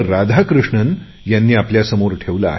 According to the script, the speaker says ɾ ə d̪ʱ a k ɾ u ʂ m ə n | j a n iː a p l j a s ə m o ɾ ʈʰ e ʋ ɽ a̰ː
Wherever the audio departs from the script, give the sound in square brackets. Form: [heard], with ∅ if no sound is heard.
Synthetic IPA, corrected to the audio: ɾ [a] d̪ʱ a k ɾ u ʂ [ɳ] ə n | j a [nː] iː a p l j a s ə m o ɾ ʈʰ e ʋ [l] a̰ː